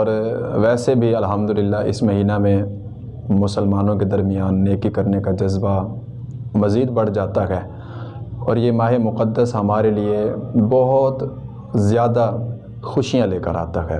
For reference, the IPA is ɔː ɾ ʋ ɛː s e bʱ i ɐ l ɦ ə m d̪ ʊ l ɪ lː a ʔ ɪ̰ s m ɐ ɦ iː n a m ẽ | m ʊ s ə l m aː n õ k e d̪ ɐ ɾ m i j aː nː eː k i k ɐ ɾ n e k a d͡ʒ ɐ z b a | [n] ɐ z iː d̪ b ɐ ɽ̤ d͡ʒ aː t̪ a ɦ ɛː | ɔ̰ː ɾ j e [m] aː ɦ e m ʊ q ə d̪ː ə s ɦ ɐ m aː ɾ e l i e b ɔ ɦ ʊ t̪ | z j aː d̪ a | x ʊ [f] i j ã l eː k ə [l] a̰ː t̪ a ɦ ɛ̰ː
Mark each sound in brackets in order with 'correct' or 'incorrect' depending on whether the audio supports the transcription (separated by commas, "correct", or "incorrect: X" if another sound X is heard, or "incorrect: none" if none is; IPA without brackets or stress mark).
incorrect: m, correct, incorrect: ʃ, incorrect: ɾ